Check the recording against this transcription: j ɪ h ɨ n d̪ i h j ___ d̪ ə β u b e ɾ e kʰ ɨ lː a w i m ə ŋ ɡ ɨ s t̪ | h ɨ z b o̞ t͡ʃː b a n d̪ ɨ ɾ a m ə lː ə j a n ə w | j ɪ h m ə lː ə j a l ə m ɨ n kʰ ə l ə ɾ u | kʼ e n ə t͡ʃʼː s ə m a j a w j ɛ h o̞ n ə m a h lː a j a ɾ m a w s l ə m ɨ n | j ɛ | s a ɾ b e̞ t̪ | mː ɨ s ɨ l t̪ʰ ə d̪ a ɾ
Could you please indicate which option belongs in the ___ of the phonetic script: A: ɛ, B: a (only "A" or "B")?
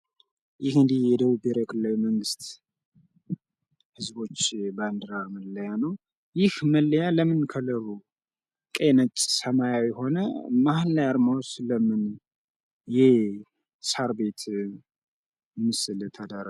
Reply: A